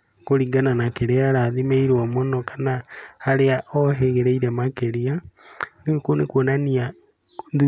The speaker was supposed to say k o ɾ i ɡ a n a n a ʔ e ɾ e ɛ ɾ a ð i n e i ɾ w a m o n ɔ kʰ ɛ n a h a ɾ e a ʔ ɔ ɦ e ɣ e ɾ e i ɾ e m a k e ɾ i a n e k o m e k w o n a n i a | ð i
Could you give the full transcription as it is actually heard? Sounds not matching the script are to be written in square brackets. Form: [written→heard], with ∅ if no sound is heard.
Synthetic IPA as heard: k o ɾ i ɡ a n a n a [ʔ→k] e ɾ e [ɛ→a] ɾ a ð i [n→m] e i ɾ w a m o n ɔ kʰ [ɛ→a] n a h a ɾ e a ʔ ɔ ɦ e ɣ e ɾ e i ɾ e m a k e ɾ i a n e k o [m→n] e k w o n a n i a | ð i